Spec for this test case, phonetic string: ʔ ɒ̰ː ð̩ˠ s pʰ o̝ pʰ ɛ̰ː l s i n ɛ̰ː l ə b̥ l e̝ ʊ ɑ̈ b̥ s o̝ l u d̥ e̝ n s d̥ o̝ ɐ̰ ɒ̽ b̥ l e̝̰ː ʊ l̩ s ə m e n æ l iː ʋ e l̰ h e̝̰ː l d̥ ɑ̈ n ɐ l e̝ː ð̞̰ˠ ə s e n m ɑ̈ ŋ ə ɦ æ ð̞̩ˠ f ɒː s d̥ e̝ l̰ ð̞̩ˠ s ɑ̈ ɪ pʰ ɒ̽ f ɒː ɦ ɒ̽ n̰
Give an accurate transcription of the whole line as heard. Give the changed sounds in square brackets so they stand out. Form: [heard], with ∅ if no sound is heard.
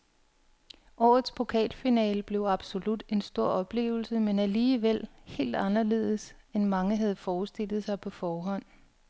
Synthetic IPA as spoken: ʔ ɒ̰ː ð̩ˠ s pʰ o̝ [kʰ] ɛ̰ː l [f] i n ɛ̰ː l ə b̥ l e̝ ʊ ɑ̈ b̥ s o̝ l u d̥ e̝ n s d̥ o̝ ɐ̰ ɒ̽ b̥ l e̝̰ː ʊ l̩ s ə m e n æ l iː ʋ e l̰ h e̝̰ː l d̥ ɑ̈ n ɐ l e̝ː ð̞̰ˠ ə s e n m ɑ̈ ŋ ə ɦ æ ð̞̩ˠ f ɒː s d̥ e̝ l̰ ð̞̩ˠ s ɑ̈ ɪ pʰ ɒ̽ f ɒː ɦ ɒ̽ n̰